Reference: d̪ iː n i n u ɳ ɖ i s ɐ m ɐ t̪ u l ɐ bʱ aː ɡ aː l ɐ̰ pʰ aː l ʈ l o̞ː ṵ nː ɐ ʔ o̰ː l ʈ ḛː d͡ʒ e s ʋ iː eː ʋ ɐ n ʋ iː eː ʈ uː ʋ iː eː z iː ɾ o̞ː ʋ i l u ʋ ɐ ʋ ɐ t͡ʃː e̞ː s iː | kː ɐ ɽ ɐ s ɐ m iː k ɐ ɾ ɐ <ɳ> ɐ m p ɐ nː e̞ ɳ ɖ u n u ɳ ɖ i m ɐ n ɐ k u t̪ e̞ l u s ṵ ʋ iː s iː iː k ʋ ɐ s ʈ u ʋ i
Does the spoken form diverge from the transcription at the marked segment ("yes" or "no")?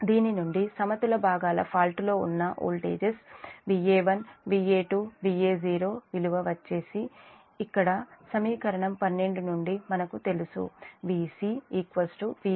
no